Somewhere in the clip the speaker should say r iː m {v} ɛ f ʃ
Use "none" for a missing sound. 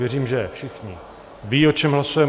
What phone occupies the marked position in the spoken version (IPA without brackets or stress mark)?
ʒ